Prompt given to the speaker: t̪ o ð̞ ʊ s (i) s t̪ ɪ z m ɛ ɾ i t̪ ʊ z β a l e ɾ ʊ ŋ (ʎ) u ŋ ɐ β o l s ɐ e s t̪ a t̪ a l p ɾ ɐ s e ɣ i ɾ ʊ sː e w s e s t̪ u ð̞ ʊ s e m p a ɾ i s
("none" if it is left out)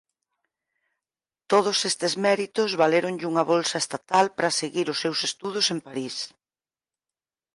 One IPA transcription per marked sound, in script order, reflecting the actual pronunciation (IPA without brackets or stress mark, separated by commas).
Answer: e, ʎ